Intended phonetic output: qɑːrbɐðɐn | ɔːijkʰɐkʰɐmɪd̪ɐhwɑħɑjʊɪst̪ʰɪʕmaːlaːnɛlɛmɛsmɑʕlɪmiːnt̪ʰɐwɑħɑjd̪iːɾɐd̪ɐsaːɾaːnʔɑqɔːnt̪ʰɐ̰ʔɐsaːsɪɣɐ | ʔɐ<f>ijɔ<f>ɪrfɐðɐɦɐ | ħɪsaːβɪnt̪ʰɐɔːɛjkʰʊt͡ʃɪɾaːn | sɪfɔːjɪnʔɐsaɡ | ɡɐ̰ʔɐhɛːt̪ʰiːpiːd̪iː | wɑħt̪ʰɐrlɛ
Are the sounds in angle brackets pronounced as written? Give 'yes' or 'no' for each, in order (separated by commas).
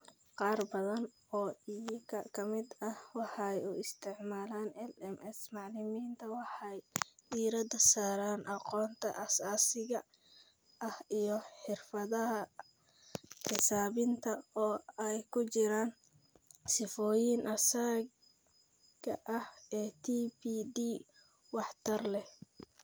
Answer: no, no